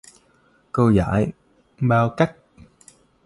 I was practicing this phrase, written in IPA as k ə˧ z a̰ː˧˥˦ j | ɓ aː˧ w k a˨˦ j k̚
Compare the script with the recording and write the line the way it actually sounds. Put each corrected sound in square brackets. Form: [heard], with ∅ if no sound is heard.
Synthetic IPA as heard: k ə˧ z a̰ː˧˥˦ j | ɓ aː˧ w k [a˦˥] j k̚